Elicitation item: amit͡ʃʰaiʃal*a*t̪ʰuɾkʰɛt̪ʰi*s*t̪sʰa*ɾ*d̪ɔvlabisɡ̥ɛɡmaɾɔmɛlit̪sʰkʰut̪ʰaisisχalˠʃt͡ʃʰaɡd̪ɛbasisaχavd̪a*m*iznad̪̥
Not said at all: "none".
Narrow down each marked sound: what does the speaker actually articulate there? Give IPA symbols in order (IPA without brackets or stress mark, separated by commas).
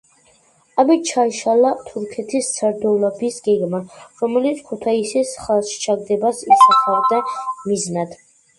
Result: a, s, ɾ, m